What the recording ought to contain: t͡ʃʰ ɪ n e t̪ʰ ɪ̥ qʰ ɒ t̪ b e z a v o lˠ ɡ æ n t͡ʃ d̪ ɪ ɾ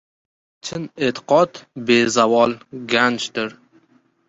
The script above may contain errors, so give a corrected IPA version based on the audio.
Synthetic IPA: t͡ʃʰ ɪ n e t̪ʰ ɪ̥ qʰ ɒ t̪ b e z a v ɒ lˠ ɡ a n t͡ʃ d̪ ɪ ɾ